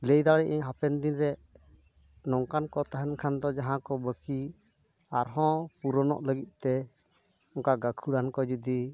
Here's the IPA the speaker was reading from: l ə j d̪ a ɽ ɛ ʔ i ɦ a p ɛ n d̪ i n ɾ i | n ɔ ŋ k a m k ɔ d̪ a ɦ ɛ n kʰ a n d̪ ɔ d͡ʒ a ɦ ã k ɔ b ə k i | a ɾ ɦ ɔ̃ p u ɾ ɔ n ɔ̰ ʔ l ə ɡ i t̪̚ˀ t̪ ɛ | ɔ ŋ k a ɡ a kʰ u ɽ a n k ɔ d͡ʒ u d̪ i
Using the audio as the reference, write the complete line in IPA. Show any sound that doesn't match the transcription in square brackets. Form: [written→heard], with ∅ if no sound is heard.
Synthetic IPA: l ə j d̪ a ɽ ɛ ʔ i ɦ a p ɛ n d̪ i n ɾ [i→ɛ] | n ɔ ŋ k a [m→n] k ɔ [d̪→t̪] a ɦ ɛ n kʰ a n d̪ ɔ d͡ʒ a ɦ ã k ɔ b ə k i | a ɾ ɦ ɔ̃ p u ɾ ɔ n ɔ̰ ʔ l ə ɡ i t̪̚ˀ t̪ ɛ | ɔ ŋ k a ɡ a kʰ u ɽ a n k ɔ d͡ʒ u d̪ i